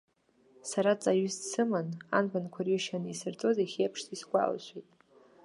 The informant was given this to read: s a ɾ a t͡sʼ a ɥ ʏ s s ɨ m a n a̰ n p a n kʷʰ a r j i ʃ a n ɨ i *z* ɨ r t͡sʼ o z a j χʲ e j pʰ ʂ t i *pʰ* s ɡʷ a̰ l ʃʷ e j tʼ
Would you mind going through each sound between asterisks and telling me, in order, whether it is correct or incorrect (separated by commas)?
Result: incorrect, incorrect